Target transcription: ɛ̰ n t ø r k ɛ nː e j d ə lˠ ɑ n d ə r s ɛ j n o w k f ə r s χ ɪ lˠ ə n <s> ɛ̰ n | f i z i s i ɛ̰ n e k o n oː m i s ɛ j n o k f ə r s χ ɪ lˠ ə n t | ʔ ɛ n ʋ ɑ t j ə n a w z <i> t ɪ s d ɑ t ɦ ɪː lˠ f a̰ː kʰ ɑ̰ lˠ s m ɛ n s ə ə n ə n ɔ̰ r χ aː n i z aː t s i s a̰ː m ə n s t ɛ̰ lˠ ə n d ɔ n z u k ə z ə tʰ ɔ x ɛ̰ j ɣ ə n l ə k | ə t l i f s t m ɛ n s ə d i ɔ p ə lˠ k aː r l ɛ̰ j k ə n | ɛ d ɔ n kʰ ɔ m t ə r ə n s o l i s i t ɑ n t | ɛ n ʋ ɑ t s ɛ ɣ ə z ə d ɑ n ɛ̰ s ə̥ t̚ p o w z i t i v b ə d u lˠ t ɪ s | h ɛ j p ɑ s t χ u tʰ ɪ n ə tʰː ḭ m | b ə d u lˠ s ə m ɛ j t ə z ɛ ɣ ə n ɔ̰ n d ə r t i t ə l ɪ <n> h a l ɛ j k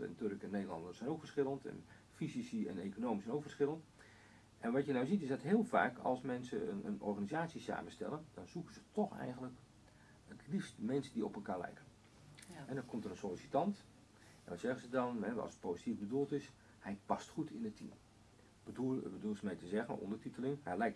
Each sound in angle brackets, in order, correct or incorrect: incorrect: t, correct, incorrect: ŋ

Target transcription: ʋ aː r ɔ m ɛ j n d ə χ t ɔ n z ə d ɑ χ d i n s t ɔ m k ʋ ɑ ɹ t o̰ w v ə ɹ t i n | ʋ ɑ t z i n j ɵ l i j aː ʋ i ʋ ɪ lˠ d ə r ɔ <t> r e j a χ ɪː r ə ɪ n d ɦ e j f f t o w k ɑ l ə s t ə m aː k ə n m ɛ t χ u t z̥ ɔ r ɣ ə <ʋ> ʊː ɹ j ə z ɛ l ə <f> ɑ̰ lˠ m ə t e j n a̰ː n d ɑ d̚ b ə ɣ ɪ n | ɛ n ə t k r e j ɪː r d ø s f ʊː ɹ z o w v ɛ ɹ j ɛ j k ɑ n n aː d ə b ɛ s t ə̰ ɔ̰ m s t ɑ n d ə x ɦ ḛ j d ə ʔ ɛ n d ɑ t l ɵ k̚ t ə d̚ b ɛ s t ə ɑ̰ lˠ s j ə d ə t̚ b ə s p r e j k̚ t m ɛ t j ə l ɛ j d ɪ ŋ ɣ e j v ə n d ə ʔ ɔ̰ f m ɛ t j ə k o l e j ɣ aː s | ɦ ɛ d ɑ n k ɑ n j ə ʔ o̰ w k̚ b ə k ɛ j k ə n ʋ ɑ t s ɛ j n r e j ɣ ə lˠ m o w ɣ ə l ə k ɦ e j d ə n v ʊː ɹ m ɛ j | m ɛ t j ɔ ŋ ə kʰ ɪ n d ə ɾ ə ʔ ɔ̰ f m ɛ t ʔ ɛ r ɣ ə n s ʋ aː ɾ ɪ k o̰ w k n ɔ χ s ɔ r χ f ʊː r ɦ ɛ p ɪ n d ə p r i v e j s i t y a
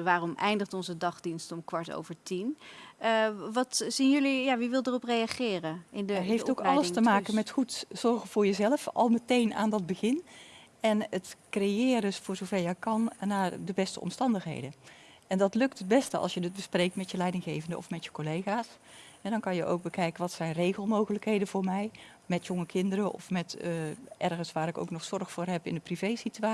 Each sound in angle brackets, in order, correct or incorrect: incorrect: p, incorrect: v, correct

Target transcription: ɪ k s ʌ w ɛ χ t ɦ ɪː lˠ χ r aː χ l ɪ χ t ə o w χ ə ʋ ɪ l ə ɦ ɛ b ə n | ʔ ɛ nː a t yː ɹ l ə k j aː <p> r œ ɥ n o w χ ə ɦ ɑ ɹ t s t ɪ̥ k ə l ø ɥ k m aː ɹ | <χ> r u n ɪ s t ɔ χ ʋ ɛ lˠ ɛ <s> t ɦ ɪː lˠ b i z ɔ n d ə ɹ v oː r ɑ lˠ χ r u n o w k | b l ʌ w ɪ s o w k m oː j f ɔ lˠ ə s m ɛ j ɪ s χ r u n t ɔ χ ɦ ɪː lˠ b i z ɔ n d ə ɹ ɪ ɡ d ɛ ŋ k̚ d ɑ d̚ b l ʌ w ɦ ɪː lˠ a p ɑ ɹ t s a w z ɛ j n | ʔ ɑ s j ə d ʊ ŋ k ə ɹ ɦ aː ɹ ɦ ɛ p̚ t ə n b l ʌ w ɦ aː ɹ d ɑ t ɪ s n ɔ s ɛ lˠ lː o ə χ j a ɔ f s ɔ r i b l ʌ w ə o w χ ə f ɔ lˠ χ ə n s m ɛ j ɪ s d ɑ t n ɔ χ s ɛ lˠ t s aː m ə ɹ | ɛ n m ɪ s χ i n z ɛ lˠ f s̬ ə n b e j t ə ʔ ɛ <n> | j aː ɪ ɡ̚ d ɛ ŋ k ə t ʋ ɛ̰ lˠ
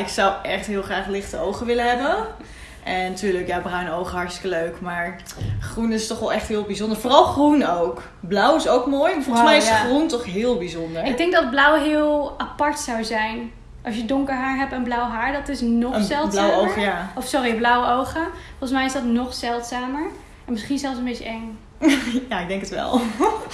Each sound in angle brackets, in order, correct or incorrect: incorrect: b, correct, incorrect: χ, incorrect: ŋ

